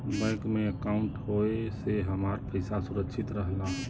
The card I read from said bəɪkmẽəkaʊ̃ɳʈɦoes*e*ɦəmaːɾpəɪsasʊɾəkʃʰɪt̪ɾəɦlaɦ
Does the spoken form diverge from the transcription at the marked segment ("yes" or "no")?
no